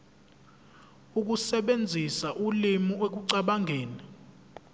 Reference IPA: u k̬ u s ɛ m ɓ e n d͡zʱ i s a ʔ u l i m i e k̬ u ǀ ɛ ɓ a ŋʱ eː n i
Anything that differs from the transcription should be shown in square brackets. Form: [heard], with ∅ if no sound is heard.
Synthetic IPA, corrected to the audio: u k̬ u s ɛ [∅] ɓ e n d͡zʱ i s a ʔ u l i m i e k̬ u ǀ [a] ɓ a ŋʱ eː n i